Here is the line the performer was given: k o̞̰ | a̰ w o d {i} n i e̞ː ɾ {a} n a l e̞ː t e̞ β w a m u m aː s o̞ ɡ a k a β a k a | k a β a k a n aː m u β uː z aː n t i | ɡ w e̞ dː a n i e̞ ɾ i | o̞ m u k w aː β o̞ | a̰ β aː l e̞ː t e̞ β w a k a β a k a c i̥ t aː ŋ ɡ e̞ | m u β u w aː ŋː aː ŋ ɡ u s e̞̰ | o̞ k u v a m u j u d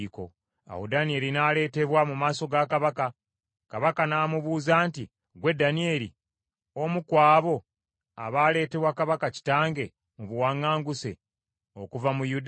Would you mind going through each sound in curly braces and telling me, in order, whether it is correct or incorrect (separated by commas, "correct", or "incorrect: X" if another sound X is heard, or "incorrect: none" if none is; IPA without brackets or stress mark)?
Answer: incorrect: a, incorrect: i